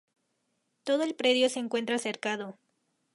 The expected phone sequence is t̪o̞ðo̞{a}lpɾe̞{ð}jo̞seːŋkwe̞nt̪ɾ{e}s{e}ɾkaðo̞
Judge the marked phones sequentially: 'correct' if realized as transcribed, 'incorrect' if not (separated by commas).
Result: incorrect, correct, incorrect, correct